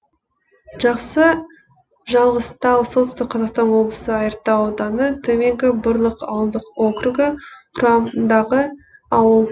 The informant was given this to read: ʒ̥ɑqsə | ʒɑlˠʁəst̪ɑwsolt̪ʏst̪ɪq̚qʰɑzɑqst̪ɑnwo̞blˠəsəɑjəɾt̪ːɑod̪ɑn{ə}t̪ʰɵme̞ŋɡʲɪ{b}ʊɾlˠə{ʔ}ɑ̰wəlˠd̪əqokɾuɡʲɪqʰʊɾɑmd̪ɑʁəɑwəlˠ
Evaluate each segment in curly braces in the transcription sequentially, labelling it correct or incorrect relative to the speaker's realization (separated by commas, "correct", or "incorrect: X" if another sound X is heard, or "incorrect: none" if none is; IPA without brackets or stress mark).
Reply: correct, correct, incorrect: q